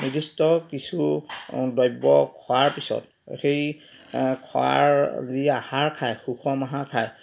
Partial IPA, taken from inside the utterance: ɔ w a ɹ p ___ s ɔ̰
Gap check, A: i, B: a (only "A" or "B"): A